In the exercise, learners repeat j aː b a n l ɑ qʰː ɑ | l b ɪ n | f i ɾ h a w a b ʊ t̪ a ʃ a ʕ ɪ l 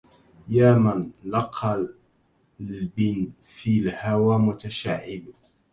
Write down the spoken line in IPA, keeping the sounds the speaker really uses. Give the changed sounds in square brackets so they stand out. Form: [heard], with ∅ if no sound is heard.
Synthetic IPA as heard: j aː [m] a n l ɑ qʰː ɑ | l b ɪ n | f i [l] h a w a [m] ʊ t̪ a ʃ a ʕ ɪ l